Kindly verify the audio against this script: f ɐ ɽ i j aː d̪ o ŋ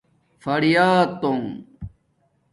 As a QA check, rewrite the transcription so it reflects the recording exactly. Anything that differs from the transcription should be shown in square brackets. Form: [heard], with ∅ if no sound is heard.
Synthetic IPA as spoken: f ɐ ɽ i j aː [t̪] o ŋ